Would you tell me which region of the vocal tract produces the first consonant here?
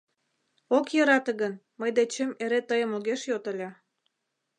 velum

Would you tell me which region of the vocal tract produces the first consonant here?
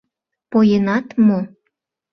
lips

